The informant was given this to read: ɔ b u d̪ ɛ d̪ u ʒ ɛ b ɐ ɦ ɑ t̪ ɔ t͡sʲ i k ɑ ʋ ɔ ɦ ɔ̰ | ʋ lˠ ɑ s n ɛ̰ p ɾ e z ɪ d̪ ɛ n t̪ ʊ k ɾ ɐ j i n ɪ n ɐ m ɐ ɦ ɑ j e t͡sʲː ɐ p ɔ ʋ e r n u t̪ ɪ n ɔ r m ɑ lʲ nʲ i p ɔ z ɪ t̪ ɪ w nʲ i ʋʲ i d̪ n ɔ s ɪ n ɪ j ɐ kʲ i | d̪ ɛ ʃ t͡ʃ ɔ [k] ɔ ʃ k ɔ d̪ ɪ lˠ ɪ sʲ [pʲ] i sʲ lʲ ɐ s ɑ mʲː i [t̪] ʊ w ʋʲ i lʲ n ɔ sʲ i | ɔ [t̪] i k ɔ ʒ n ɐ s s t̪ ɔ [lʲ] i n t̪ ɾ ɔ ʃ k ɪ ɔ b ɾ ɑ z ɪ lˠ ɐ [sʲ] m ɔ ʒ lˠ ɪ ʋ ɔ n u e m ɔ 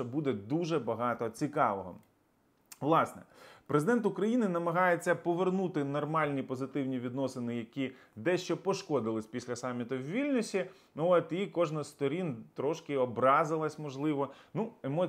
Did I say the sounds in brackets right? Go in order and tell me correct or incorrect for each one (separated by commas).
incorrect, correct, correct, correct, incorrect, correct